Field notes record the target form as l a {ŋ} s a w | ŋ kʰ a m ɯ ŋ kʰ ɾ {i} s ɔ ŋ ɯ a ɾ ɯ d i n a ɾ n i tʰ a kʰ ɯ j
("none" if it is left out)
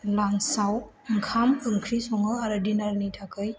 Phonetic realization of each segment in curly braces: ŋ, i

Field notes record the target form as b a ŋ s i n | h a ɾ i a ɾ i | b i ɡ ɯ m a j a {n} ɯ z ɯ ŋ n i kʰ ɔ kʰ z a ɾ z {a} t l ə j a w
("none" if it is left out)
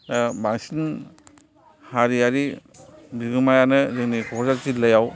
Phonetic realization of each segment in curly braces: n, i

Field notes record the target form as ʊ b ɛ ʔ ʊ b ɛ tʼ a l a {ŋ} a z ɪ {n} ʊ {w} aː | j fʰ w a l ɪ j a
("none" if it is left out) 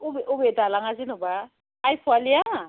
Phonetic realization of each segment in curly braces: ŋ, n, b

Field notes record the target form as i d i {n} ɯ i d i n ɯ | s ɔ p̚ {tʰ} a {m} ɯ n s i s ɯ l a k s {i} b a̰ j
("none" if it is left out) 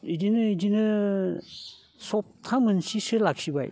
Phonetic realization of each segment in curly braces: n, tʰ, m, i

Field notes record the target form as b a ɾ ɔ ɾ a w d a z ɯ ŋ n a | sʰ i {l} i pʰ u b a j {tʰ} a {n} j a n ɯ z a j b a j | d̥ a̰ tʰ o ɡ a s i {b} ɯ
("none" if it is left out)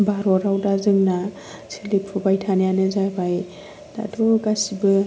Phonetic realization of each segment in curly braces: l, tʰ, n, b

